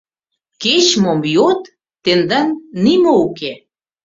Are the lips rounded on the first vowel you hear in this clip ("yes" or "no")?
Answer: no